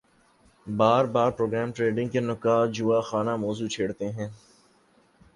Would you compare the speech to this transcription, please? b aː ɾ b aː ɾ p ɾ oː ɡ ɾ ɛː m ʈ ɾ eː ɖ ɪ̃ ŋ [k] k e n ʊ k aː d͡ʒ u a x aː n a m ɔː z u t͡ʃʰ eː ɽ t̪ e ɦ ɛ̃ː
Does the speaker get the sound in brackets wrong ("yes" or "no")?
yes